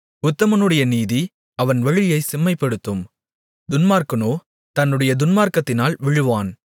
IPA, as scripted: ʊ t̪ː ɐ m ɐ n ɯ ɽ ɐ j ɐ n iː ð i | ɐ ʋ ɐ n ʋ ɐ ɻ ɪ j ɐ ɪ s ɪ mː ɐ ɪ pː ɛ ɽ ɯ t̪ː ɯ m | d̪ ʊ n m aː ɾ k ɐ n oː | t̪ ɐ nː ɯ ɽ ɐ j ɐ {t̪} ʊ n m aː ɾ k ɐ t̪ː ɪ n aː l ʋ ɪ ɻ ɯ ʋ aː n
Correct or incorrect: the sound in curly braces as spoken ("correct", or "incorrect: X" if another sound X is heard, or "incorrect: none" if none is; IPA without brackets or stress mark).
incorrect: d̪